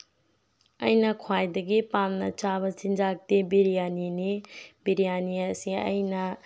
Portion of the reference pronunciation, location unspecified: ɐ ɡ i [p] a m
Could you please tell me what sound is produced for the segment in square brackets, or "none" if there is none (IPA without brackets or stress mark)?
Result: p